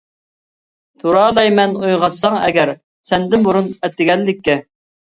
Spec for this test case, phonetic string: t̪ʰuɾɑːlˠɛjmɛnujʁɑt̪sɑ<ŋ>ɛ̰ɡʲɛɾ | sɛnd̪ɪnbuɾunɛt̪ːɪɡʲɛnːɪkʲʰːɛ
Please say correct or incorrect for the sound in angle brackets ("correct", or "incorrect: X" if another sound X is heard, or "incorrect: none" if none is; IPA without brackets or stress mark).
correct